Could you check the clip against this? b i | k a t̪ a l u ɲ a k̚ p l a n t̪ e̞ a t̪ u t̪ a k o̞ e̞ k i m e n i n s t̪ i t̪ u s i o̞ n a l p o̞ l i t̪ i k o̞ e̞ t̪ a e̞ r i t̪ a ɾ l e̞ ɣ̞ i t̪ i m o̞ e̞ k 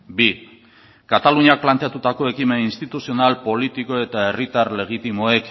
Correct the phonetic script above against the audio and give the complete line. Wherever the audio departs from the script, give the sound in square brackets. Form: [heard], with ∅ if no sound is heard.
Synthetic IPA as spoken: b i | k a t̪ a l u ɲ a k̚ p l a n t̪ e̞ a t̪ u t̪ a k o̞ e̞ k i m e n i n s t̪ i t̪ u s i o̞ n a l p o̞ l i t̪ i k o̞ e̞ t̪ a e̞ r i t̪ a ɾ l e̞ ɣ̞ i t̪ i m o̞ e̞ k